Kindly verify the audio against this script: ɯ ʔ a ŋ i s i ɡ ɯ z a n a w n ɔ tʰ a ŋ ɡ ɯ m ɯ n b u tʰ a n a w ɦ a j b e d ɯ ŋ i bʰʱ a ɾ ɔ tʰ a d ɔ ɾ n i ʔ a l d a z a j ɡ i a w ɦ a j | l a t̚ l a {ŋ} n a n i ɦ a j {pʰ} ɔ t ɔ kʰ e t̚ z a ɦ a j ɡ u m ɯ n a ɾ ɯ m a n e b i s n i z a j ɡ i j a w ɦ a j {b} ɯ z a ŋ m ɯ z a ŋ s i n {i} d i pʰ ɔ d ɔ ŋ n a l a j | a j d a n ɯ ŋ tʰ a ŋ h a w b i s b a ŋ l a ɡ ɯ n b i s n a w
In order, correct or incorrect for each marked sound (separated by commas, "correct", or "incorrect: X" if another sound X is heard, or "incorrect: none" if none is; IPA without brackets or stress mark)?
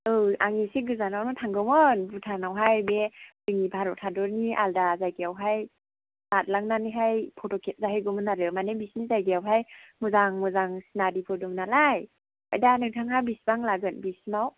correct, correct, incorrect: m, incorrect: a